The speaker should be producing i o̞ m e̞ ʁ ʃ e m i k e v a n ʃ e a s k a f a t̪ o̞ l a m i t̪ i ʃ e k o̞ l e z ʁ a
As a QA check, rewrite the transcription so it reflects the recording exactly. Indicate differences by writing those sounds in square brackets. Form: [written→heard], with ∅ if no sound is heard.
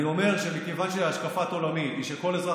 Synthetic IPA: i o̞ m e̞ ʁ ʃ e m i k e v a n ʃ e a [s→ʃ] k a f a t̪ o̞ l a m i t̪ i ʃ e k o̞ l e z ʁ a